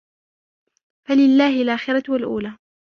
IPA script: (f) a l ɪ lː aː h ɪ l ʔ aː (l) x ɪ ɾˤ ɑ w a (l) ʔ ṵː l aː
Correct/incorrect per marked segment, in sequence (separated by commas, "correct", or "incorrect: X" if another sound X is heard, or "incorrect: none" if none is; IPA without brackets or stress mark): correct, incorrect: none, correct